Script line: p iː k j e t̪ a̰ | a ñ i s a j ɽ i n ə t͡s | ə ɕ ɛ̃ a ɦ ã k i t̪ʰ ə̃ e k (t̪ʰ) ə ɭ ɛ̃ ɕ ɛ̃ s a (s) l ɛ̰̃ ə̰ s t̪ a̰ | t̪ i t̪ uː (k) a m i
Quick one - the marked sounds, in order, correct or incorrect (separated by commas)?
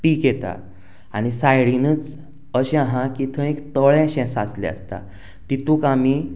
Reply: incorrect, correct, correct